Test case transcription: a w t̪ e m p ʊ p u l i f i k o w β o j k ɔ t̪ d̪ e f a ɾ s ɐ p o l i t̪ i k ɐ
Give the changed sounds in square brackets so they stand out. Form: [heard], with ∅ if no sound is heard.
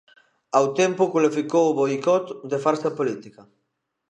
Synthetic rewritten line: a w t̪ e m p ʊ [k] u l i f i k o w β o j k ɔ t̪ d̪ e f a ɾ s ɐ p o l i t̪ i k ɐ